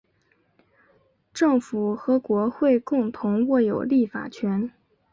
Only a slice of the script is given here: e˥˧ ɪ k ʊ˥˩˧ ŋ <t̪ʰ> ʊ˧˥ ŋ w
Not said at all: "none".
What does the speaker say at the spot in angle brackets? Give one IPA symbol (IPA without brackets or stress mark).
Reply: t̪ʰ